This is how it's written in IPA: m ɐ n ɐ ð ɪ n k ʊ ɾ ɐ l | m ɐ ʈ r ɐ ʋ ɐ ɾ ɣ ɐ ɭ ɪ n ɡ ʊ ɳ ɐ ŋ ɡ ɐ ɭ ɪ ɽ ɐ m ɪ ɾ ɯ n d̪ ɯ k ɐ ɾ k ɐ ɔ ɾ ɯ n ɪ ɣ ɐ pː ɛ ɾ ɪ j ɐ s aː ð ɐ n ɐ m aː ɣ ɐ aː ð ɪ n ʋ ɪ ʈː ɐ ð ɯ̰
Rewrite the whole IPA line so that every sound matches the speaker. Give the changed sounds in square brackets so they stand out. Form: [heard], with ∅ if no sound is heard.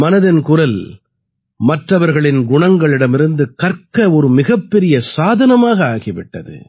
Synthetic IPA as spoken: m ɐ n ɐ ð ɪ n k ʊ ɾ ɐ l | m ɐ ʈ r ɐ ʋ ɐ ɾ ɣ ɐ ɭ ɪ n ɡ ʊ ɳ ɐ ŋ ɡ ɐ ɭ ɪ ɽ ɐ m ɪ ɾ ɯ n d̪ ɯ k ɐ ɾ k ɐ ɔ ɾ ɯ [m] ɪ ɣ ɐ pː ɛ ɾ ɪ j ɐ s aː ð ɐ n ɐ m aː ɣ ɐ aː [ɣ] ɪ [∅] ʋ ɪ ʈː ɐ ð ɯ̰